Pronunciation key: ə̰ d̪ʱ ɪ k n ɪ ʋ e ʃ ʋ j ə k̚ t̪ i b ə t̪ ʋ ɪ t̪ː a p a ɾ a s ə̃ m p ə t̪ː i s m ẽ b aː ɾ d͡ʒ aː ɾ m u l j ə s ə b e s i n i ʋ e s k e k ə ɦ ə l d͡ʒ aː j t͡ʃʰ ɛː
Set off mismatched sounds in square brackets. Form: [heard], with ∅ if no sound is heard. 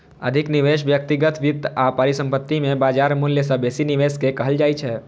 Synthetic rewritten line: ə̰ d̪ʱ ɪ k n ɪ ʋ e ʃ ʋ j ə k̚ t̪ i [ɡ] ə t̪ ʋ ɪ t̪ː a p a ɾ [i] s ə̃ m p ə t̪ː i [∅] m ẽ b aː [∅] d͡ʒ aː ɾ m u l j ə s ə b e s i n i ʋ e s k e k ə ɦ ə l d͡ʒ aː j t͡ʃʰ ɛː